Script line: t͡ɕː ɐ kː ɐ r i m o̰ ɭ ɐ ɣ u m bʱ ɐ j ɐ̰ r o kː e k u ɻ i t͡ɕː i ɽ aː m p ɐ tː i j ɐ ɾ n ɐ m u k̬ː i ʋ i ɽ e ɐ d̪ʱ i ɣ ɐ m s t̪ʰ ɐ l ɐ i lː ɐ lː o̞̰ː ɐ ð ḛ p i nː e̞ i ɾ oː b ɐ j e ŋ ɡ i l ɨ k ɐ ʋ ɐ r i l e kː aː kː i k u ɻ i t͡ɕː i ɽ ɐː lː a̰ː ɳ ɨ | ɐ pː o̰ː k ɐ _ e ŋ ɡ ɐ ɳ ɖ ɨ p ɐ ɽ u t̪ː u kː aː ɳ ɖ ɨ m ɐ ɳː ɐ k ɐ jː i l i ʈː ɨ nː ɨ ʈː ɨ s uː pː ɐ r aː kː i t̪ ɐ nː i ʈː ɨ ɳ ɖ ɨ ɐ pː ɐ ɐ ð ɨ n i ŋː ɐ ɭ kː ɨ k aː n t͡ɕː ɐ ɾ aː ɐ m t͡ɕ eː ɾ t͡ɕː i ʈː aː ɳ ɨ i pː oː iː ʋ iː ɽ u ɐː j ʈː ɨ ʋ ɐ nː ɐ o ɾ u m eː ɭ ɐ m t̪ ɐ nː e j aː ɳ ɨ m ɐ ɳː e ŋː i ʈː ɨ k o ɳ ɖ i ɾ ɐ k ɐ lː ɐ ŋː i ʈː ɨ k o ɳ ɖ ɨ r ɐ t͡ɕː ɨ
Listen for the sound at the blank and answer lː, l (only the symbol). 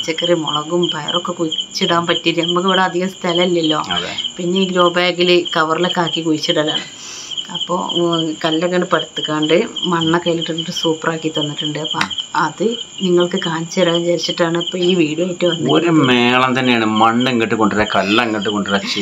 lː